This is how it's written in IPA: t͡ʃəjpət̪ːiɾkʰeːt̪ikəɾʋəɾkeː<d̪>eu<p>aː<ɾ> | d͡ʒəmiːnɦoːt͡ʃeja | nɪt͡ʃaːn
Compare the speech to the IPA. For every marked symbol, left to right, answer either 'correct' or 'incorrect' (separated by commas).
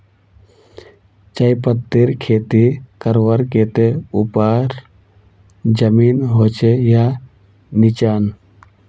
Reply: incorrect, correct, correct